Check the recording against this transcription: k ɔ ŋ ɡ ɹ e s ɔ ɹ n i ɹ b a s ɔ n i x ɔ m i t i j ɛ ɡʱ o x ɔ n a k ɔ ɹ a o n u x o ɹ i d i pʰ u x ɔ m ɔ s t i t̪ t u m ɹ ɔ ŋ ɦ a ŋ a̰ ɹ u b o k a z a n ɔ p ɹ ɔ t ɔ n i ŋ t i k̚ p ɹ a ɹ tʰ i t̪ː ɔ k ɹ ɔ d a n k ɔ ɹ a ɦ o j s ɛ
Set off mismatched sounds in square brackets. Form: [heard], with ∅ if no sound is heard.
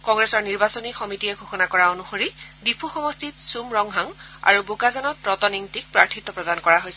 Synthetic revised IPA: k ɔ ŋ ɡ ɹ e s ɔ ɹ n i ɹ b a s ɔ n i x ɔ m i t i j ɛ ɡʱ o x ɔ n a k ɔ ɹ a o n u x o ɹ i d i pʰ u x ɔ m ɔ s t i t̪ [s] u m ɹ ɔ ŋ ɦ a ŋ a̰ ɹ u b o k a z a n ɔ [t] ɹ ɔ t ɔ n i ŋ t i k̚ p ɹ a ɹ tʰ i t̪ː ɔ [p] ɹ ɔ d a n k ɔ ɹ a ɦ o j s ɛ